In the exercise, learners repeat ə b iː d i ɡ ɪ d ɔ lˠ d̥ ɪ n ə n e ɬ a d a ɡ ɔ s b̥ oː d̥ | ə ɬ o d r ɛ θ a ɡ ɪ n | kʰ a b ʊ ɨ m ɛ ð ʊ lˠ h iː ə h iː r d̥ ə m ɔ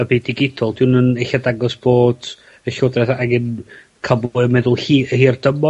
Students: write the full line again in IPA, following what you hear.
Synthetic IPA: ə b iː d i ɡ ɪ d ɔ lˠ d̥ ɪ n ə n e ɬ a d a ɡ ɔ s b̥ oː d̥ | ə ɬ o d r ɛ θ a ɡ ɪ n | kʰ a b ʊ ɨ m ɛ ð ʊ lˠ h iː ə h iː r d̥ ə m ɔ